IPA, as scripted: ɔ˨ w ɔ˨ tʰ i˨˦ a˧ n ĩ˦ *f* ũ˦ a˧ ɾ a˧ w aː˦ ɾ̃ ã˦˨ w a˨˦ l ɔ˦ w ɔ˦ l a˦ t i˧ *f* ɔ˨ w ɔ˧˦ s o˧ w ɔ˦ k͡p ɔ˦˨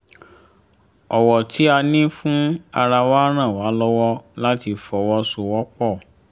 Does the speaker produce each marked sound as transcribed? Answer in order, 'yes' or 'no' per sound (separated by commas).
yes, yes